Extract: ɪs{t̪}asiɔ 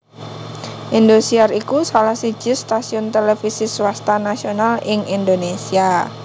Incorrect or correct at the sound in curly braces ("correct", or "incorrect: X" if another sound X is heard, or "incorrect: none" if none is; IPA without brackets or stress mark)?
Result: correct